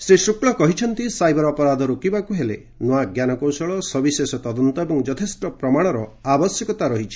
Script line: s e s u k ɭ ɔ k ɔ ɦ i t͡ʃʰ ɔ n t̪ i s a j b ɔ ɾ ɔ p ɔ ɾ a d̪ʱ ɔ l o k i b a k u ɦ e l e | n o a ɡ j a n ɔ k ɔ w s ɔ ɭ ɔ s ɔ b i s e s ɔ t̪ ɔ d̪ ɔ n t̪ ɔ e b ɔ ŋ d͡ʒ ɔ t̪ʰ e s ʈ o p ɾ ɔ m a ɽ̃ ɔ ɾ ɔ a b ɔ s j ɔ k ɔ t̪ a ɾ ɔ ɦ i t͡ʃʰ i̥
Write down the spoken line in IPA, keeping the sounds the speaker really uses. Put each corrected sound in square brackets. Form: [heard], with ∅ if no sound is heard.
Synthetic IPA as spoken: s e s u k ɭ ɔ k ɔ ɦ i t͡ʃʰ ɔ n t̪ i s a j b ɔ ɾ ɔ p ɔ ɾ a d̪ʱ ɔ [ɾ] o k i b a k u ɦ e l e | n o a ɡ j a n ɔ k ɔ w s ɔ ɭ ɔ s ɔ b i s e s ɔ t̪ ɔ d̪ ɔ n t̪ ɔ e b ɔ ŋ d͡ʒ ɔ t̪ʰ e s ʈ [ɔ] p ɾ ɔ m a ɽ̃ ɔ ɾ ɔ a b ɔ s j ɔ k ɔ t̪ a ɾ ɔ ɦ i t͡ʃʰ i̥